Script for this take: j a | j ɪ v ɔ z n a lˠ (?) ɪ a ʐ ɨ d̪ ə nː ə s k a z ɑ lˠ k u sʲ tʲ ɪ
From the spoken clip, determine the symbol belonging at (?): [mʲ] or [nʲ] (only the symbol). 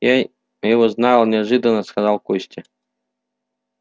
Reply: nʲ